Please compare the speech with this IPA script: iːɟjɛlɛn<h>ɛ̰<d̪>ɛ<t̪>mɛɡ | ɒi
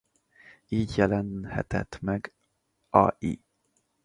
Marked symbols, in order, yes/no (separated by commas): yes, no, yes